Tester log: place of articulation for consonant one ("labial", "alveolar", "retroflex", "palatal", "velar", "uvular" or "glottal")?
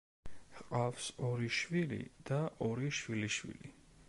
uvular